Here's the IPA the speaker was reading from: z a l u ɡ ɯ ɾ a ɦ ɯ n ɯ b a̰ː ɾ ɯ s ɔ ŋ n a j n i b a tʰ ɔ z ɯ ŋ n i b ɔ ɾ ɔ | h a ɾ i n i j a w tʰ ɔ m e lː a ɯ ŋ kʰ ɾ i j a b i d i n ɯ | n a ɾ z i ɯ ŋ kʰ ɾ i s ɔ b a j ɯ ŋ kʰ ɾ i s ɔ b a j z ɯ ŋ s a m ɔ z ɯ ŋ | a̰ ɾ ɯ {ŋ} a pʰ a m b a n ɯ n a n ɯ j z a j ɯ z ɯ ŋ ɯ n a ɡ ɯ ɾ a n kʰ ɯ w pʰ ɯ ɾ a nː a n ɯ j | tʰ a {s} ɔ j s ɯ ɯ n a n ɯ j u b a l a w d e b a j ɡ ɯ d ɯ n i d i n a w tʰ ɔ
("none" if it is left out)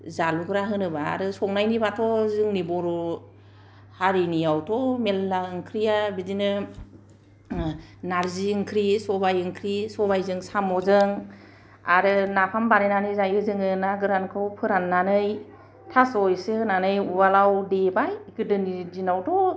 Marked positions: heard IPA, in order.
n, s

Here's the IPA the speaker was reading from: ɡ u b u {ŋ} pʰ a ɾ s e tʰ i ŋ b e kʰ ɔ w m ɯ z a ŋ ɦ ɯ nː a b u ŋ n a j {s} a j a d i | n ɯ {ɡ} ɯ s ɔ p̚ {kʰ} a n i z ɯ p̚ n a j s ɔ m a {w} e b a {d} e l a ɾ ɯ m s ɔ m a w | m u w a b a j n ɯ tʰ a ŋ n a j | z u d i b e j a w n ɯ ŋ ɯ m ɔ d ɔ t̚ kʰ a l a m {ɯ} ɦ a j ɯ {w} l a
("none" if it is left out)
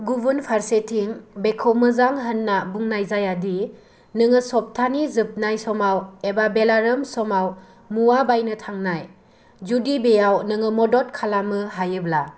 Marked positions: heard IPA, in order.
n, z, ŋ, tʰ, w, b, ɯ, b

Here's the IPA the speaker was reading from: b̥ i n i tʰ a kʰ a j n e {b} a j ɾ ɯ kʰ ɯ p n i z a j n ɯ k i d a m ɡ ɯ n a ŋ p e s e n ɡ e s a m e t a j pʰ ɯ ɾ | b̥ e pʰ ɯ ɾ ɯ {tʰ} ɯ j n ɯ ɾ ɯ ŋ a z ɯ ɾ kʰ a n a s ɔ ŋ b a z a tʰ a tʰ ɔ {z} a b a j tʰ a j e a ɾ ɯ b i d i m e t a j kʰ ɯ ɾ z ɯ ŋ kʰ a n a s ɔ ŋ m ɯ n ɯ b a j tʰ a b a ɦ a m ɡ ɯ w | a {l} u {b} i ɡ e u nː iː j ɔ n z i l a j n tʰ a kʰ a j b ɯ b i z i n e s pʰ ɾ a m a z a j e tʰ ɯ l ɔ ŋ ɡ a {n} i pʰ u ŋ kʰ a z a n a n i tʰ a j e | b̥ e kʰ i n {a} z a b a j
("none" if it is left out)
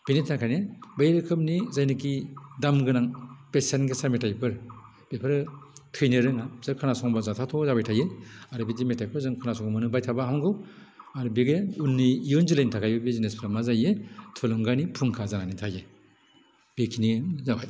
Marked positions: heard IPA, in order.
b, tʰ, z, ɾ, b, n, i

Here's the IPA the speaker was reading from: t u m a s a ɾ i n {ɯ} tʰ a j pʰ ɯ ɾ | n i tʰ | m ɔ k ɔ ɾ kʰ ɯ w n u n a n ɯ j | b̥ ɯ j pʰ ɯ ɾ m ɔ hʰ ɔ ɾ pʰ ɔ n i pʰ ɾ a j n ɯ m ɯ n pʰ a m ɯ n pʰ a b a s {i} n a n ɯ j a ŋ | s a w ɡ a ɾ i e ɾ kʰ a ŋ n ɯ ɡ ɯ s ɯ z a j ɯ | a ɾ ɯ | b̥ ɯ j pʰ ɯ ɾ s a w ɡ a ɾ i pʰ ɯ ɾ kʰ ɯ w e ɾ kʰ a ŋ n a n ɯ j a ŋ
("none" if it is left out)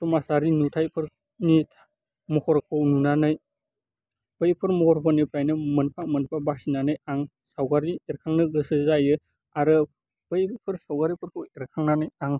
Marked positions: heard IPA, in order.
u, i

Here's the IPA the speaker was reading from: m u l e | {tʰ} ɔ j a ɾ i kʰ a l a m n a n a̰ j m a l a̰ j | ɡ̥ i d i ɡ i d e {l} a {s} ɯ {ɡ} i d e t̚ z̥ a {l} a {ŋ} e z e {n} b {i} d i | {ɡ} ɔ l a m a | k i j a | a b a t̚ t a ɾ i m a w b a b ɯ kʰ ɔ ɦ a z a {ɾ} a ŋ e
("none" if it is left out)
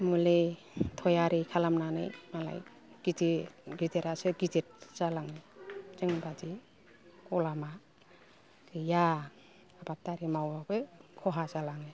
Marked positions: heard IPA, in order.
tʰ, ɾ, s, ɡ, l, ŋ, ŋ, a, k, l

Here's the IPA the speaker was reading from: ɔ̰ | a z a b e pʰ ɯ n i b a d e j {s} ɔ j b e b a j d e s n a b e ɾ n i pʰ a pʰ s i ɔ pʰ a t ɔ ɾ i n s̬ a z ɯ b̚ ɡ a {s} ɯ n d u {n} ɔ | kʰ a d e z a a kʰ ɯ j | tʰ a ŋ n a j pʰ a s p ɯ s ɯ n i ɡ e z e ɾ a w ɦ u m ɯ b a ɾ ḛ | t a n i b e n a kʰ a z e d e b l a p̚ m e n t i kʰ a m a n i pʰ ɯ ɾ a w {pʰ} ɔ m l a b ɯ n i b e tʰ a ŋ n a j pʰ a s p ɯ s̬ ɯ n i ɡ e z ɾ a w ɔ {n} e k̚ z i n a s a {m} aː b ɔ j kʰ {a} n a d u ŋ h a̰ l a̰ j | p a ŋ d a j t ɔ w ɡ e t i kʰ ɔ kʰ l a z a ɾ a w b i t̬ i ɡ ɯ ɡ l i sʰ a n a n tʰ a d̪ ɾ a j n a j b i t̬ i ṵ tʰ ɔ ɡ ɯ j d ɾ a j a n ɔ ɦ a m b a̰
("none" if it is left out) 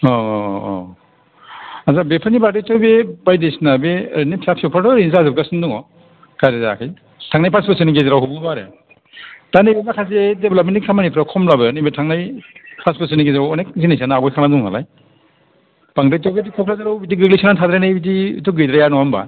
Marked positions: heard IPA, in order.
t, s, ŋ, kʰ, n, n, a

